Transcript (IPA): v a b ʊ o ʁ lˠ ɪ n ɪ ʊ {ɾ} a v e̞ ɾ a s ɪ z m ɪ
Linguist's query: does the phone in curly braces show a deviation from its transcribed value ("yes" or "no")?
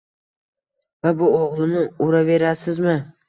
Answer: no